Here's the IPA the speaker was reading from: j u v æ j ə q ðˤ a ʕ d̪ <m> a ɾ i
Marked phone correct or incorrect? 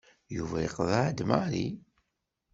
correct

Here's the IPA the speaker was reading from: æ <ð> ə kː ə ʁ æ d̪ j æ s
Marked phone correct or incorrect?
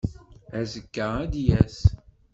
incorrect: z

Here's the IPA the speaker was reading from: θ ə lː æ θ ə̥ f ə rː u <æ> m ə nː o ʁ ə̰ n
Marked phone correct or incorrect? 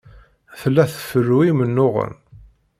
incorrect: i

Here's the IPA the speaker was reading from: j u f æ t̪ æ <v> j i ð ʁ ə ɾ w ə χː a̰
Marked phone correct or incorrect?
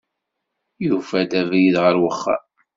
correct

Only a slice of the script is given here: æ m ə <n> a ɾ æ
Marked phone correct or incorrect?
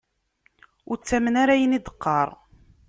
correct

